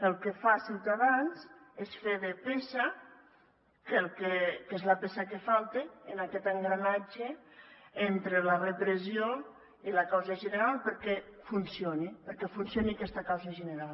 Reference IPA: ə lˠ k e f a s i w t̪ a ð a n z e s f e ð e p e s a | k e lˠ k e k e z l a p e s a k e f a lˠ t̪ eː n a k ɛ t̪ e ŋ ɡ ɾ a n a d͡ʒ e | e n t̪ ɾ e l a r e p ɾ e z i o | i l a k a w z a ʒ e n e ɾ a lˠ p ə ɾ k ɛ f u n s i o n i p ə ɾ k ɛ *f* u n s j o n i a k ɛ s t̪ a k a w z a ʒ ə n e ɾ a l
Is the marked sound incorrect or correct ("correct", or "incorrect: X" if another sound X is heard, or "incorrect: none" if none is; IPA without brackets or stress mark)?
correct